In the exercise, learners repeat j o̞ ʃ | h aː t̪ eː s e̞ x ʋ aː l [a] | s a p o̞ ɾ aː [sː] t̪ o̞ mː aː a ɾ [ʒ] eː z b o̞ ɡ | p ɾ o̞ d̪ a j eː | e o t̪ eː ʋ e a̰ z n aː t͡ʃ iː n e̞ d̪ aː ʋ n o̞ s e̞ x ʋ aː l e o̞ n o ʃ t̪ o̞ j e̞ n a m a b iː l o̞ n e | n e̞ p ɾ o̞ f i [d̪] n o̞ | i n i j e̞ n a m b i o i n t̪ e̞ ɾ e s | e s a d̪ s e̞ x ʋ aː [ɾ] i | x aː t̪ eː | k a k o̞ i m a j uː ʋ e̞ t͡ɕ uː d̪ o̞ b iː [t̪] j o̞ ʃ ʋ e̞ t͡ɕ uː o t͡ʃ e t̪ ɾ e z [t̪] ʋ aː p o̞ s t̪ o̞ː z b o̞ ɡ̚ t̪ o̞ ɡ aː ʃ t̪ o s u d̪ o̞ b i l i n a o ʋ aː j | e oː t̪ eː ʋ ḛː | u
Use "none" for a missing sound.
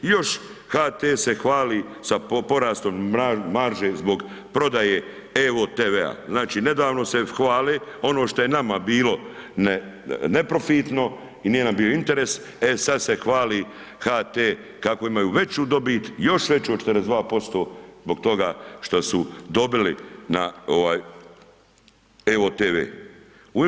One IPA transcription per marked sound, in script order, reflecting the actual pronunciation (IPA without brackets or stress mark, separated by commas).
i, s, ʒ, t̪, l, t̪, d̪